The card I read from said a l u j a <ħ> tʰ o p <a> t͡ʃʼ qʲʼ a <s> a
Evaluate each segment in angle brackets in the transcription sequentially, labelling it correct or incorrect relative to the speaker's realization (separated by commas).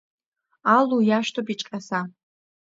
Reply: incorrect, incorrect, correct